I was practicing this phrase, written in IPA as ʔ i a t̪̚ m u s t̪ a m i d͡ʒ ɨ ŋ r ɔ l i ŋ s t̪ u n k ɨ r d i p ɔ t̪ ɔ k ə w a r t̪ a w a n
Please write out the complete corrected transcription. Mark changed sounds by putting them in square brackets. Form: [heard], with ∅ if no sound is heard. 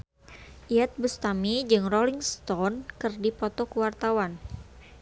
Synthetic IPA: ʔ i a t̪̚ [b] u s t̪ a m i d͡ʒ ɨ ŋ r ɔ l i ŋ s t̪ [ɔ] n k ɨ r d i p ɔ t̪ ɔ k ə w a r t̪ a w a n